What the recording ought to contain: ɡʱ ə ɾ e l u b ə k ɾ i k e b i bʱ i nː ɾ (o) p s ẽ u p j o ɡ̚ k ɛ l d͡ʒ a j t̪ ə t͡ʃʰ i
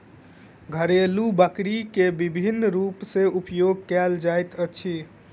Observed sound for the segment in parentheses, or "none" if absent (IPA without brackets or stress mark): u